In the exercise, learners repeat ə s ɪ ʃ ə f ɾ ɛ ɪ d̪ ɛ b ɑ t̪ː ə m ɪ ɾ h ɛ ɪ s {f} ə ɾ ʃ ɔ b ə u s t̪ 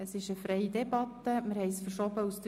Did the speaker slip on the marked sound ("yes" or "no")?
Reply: no